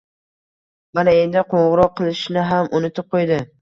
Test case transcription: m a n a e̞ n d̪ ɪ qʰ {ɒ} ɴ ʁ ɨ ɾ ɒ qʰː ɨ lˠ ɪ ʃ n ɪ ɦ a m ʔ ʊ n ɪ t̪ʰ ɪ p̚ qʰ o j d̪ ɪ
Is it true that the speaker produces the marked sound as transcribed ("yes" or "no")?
no